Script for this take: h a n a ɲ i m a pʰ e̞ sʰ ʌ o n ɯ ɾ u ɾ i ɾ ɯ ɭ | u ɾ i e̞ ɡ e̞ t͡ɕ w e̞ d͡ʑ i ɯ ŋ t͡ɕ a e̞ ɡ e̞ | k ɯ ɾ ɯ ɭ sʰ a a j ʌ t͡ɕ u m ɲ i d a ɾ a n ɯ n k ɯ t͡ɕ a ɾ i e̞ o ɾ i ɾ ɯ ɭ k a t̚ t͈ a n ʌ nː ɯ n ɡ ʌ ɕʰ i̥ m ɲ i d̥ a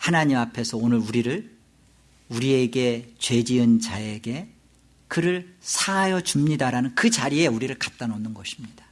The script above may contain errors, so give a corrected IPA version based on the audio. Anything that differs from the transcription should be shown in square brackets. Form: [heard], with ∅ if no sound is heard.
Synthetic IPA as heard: h a n a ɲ i m a pʰ e̞ sʰ ʌ o n ɯ ɾ u ɾ i ɾ ɯ ɭ | u ɾ i e̞ ɡ e̞ t͡ɕ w e̞ d͡ʑ i ɯ [n] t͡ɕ a e̞ ɡ e̞ | k ɯ ɾ ɯ ɭ sʰ a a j ʌ t͡ɕ u m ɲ i d a ɾ a n ɯ n k ɯ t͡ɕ a ɾ i e̞ [u] ɾ i ɾ ɯ ɭ k a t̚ t͈ a n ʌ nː ɯ n ɡ ʌ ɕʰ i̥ m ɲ i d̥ a